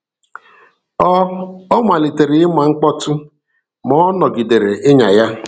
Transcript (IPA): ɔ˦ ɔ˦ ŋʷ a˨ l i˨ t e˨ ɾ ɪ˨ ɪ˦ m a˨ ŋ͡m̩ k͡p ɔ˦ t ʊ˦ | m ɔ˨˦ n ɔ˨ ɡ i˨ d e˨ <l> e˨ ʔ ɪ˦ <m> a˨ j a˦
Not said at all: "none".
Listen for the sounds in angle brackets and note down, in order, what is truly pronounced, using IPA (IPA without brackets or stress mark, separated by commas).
ɾ, ɲ